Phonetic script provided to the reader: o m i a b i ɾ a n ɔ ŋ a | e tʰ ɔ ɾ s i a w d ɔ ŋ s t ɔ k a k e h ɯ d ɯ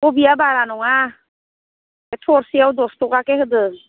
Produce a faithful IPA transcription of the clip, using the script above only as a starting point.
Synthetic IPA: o b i a b a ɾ a n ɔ ŋ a | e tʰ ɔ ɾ s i a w d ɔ s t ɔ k a k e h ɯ d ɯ